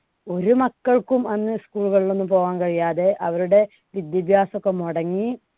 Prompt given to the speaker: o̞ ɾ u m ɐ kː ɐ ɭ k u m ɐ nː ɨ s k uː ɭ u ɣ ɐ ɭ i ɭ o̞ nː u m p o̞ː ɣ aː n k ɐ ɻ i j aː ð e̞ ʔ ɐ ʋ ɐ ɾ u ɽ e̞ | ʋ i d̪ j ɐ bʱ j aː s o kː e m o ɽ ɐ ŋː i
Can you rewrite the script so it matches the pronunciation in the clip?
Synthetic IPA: o̞ ɾ u m ɐ kː ɐ ɭ k u m ɐ nː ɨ s k uː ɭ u ɣ ɐ ɭ i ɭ o̞ nː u m p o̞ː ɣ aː n k ɐ ɻ i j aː ð e̞ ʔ ɐ ʋ ɐ ɾ u ɽ e̞ | ʋ i d̪ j ɐ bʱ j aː s o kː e m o ɽ ɐ ŋː i